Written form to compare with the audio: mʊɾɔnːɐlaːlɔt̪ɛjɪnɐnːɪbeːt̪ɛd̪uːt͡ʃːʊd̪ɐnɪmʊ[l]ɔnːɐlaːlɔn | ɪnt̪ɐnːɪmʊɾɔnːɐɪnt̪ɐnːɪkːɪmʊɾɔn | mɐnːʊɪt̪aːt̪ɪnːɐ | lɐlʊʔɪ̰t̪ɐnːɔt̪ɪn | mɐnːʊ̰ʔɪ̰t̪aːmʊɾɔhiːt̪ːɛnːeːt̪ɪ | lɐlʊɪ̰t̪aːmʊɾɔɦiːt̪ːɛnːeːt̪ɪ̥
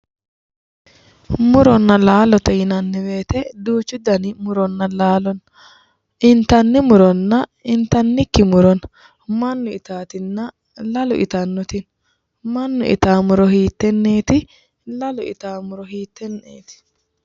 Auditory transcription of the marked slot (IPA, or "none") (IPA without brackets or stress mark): ɾ